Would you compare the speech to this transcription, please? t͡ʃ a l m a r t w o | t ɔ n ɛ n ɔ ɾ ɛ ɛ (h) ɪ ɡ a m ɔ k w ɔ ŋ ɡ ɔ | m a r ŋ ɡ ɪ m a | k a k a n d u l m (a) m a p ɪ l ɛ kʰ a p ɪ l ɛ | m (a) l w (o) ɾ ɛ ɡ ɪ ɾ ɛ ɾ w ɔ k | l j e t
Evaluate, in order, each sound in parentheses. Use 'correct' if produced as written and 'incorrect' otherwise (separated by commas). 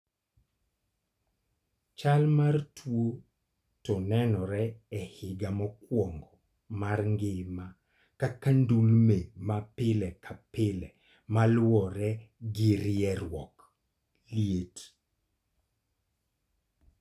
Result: correct, incorrect, correct, incorrect